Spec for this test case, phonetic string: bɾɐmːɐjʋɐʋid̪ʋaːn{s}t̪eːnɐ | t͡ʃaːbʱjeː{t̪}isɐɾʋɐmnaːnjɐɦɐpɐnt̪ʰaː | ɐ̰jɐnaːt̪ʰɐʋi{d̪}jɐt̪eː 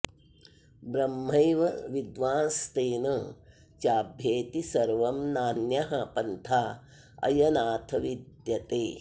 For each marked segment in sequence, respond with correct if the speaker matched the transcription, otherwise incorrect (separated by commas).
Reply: correct, correct, correct